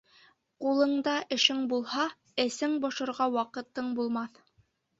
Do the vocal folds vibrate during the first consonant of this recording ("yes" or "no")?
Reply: no